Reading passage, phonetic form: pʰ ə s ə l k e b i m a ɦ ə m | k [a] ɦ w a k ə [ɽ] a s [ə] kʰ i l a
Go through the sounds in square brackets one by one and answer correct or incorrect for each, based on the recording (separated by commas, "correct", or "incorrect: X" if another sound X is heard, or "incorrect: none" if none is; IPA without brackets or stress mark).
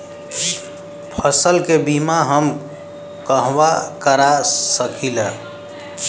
incorrect: ə, incorrect: ɾ, correct